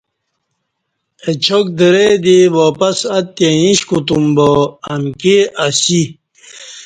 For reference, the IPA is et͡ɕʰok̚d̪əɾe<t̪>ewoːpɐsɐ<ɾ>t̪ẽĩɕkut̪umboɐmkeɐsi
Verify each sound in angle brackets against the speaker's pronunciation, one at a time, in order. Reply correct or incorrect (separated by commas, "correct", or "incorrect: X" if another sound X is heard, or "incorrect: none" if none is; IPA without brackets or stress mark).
incorrect: d̪, incorrect: none